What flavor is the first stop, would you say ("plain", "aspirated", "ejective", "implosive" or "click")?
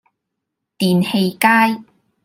plain